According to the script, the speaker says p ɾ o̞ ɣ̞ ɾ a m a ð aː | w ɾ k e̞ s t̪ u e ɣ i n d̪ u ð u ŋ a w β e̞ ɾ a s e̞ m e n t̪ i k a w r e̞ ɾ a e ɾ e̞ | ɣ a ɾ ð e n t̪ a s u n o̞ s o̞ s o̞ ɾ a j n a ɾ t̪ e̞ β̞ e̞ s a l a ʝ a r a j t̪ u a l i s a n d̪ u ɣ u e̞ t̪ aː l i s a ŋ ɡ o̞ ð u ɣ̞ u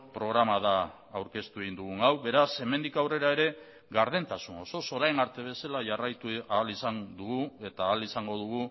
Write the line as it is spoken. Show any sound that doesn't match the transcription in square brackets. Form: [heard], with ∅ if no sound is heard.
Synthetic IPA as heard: p ɾ o̞ ɣ̞ ɾ a m a ð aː | w ɾ k e̞ s t̪ u e ɣ i n d̪ u [ɣ] u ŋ a w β e̞ ɾ a s e̞ m e n [d̪] i k a w r e̞ ɾ a e ɾ e̞ | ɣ a ɾ ð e n t̪ a s u n o̞ s o̞ s o̞ ɾ a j n a ɾ t̪ e̞ β̞ e̞ s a l a ʝ a r a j t̪ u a l i s a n d̪ u ɣ u e̞ t̪ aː l i s a ŋ ɡ o̞ ð u ɣ̞ u